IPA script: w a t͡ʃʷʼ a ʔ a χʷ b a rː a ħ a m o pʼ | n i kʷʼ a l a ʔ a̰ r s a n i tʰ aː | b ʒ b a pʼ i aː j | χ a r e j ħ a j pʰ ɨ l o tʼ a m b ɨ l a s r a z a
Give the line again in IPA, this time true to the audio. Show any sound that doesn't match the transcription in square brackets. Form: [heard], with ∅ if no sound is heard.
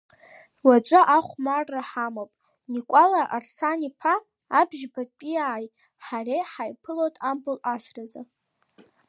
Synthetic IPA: w a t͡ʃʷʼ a ʔ a χʷ [m] a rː a ħ a m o pʼ | n i kʷʼ a l a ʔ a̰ r s a n i [pʰ] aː | b ʒ b a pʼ i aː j | [ħ] a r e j ħ a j pʰ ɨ l o tʼ a m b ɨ l a s r a z a